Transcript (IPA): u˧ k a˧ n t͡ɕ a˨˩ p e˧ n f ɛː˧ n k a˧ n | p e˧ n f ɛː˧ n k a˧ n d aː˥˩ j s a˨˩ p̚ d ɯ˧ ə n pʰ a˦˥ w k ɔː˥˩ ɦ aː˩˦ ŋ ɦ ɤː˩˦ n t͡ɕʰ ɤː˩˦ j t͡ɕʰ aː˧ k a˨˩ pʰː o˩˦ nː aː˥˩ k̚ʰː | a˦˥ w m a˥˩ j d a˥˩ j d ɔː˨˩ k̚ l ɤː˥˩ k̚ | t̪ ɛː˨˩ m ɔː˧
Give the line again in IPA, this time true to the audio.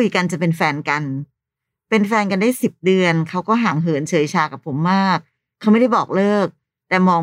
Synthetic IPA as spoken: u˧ k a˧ n t͡ɕ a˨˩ p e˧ n f ɛː˧ n k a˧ n | p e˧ n f ɛː˧ n k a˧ n d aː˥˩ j s i˨˩ p̚ d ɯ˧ ə n kʰ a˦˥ w k ɔː˥˩ ɦ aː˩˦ ŋ ɦ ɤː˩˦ n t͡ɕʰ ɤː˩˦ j t͡ɕʰ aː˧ k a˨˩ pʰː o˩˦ mː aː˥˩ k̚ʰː | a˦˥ w m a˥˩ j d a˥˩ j b ɔː˨˩ k̚ l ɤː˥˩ k̚ | t̪ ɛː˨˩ m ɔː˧